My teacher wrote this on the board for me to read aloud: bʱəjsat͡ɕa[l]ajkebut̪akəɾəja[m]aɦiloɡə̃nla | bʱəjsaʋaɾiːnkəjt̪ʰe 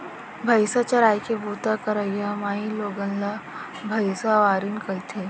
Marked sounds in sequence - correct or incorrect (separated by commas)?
incorrect, correct